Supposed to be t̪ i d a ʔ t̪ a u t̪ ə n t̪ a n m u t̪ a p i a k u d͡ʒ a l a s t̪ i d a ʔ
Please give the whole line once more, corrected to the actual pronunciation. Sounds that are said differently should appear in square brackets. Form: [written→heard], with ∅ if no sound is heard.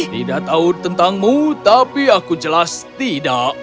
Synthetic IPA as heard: t̪ i d a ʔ t̪ a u t̪ ə n t̪ a [n→ŋ] m u t̪ a p i a k u d͡ʒ [a→ə] l a s t̪ i d a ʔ